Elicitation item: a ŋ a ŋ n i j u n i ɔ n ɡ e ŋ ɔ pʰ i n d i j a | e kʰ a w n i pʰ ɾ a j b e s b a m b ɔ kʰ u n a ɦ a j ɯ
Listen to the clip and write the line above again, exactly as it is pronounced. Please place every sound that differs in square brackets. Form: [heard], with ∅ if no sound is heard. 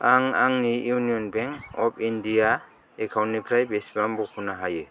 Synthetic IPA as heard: a ŋ a ŋ n i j u n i ɔ n [b] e ŋ ɔ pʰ i n d i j a | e kʰ a w n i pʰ ɾ a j b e s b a m b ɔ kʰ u n a ɦ a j ɯ